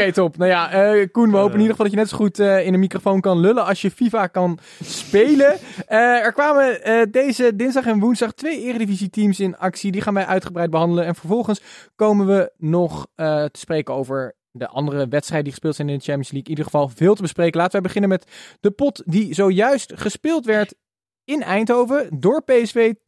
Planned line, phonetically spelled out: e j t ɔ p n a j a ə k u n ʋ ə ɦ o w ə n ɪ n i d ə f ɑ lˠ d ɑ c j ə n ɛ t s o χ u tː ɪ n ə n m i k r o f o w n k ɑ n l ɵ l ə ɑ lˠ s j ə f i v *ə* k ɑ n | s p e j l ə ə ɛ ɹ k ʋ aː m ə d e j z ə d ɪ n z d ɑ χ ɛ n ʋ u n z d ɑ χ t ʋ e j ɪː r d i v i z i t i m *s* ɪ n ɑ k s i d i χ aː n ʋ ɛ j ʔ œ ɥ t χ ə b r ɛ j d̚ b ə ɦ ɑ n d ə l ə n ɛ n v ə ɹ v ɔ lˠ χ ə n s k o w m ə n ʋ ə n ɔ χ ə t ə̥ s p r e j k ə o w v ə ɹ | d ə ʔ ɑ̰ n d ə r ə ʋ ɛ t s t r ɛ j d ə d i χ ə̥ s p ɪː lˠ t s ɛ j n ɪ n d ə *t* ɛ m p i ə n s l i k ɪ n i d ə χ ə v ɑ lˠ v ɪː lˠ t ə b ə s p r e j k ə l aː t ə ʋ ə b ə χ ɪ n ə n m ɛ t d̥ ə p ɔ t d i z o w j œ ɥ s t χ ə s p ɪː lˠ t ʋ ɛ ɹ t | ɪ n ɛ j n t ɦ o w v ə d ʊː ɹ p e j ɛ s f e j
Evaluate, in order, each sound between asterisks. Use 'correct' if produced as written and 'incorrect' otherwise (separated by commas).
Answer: incorrect, correct, incorrect